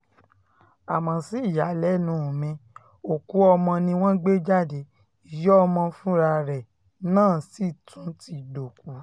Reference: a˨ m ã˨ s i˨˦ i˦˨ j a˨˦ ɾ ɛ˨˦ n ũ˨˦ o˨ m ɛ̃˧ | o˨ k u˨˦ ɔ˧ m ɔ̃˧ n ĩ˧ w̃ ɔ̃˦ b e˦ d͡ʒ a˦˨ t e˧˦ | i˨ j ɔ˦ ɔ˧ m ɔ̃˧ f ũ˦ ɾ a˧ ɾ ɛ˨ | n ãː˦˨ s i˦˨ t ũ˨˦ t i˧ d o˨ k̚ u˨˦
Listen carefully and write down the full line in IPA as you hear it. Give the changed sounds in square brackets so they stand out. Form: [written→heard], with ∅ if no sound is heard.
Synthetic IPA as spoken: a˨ m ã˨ s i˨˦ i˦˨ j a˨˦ [ɾ→l] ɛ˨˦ n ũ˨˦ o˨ m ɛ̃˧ | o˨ k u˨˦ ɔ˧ m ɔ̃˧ n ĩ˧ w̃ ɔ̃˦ [b→ɡ͡b] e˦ d͡ʒ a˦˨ [t→d] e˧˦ | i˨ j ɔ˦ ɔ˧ m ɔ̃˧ f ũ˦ ɾ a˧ ɾ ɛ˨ | n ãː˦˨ s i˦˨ t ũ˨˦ t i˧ d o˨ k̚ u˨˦

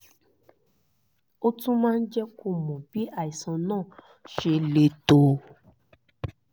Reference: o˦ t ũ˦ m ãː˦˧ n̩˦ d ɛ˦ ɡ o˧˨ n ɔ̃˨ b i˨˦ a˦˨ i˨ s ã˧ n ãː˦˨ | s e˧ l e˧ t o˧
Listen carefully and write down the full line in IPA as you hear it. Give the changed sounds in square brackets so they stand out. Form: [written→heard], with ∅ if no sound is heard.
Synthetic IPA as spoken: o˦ t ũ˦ m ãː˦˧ n̩˦ [d→d͡ʒ] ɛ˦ [ɡ→k] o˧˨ [n→m] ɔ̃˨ b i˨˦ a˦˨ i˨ s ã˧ n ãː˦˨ | [s→ʃ] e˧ l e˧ t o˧

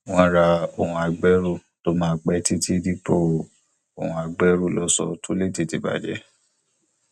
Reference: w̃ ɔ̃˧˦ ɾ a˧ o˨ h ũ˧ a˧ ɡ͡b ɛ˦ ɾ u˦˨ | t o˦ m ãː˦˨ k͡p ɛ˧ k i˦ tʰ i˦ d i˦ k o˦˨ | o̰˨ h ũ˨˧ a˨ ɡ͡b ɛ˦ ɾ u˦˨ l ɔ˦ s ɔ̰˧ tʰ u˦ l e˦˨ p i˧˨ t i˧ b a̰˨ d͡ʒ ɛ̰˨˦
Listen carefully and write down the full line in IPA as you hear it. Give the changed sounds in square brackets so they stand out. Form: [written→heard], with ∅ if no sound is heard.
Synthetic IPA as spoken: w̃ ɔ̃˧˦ ɾ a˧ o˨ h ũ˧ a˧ ɡ͡b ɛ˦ ɾ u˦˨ | t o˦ m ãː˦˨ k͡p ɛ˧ [k→t] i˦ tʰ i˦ d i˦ [k→p] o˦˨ | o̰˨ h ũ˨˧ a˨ ɡ͡b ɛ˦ ɾ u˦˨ l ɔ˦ s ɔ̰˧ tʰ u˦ l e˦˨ [p→t] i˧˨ t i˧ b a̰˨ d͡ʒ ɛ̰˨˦

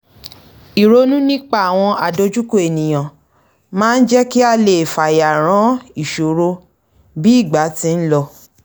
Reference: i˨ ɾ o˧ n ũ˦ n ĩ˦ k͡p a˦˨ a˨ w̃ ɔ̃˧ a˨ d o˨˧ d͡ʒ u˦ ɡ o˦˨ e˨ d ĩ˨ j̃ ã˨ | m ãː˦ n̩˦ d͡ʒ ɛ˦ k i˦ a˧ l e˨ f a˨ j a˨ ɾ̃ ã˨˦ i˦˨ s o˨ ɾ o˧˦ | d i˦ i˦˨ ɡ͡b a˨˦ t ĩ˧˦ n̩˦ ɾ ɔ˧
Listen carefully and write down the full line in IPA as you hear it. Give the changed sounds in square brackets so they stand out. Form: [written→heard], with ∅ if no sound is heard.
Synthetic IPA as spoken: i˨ ɾ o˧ n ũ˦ n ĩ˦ k͡p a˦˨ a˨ w̃ ɔ̃˧ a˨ d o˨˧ d͡ʒ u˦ [ɡ→k] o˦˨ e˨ [d→n] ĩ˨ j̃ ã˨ | m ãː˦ n̩˦ d͡ʒ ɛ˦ k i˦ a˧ l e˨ f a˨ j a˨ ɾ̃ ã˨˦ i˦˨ [s→ʃ] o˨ ɾ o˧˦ | [d→b] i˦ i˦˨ ɡ͡b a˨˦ t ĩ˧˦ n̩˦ [ɾ→l] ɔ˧

